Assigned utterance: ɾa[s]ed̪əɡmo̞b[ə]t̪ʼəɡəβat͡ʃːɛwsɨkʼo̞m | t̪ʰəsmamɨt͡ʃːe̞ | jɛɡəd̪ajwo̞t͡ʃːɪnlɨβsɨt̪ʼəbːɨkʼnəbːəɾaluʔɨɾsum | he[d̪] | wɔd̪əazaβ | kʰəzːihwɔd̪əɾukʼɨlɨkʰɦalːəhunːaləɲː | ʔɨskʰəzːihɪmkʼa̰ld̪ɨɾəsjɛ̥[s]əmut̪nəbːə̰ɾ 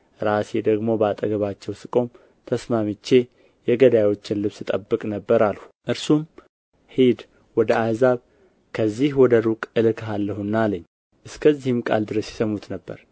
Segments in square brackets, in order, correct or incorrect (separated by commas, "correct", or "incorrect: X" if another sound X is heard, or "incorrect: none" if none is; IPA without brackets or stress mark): correct, incorrect: a, correct, correct